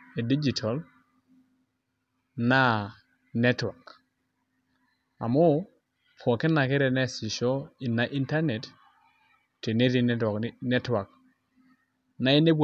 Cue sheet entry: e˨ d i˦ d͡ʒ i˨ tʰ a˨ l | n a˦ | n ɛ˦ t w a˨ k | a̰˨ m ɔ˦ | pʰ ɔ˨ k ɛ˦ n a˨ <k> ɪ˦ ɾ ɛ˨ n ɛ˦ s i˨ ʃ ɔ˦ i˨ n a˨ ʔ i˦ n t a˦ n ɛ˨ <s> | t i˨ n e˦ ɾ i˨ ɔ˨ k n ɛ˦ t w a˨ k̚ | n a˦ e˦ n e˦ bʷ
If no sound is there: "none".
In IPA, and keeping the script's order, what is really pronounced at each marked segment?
k, t

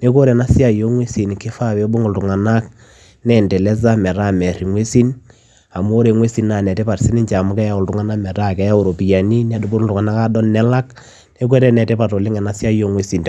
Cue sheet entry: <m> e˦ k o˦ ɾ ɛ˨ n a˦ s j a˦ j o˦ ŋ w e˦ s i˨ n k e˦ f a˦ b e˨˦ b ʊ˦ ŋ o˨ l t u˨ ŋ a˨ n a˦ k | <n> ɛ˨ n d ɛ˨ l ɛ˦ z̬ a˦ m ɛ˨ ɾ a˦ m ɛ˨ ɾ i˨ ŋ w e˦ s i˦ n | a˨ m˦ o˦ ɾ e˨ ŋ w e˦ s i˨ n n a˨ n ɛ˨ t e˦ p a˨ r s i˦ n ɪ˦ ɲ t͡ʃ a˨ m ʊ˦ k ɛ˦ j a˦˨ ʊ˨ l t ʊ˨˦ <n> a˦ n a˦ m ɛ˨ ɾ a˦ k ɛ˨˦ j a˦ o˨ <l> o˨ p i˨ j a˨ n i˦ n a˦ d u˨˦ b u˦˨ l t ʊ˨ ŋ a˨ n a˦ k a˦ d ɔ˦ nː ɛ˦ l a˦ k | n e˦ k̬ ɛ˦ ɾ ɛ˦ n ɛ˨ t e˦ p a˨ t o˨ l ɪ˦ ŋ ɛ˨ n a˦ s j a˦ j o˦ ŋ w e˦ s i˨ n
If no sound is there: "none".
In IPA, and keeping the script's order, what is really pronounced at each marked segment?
n, n, ŋ, ɾ

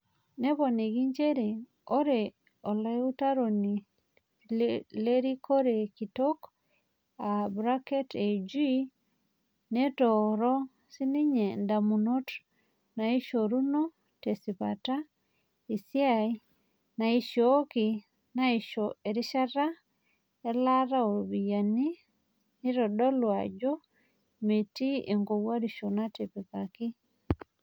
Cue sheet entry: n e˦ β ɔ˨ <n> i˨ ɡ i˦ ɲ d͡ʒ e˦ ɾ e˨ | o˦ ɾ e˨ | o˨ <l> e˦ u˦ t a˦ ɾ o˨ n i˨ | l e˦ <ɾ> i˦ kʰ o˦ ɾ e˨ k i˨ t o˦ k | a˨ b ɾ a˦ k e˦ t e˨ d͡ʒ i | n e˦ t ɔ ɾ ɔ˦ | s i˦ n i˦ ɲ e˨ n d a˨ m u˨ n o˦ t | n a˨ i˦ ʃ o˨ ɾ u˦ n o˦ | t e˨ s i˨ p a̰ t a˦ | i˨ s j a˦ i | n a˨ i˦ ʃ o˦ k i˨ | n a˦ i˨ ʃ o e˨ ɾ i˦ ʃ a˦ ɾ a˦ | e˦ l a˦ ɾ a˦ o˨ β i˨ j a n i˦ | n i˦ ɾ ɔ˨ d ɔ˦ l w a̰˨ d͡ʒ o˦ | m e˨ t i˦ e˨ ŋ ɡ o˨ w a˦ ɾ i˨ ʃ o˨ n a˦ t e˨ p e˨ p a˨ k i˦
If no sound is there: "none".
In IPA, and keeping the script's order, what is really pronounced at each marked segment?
n, l, ɾ

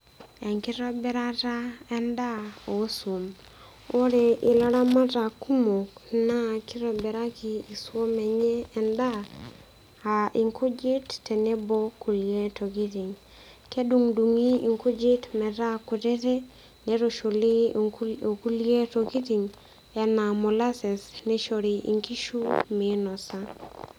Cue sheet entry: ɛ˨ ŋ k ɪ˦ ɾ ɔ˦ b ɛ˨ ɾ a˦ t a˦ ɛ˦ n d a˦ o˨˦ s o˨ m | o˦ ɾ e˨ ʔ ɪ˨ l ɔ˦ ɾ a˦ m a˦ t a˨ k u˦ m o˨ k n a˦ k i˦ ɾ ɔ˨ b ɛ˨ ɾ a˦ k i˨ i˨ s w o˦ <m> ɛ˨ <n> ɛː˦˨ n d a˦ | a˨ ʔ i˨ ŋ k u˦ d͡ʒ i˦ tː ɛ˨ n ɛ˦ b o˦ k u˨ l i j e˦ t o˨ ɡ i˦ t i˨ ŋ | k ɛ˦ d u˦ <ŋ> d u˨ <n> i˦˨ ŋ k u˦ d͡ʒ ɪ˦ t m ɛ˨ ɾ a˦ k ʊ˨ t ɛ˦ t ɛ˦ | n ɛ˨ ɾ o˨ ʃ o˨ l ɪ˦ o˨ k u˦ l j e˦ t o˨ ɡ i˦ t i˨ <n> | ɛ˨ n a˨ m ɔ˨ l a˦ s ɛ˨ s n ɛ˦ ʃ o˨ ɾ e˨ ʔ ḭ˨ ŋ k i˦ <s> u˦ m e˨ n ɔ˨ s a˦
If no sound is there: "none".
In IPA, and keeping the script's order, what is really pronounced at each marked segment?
m, ɲ, ŋ, ŋ, ŋ, ʃ

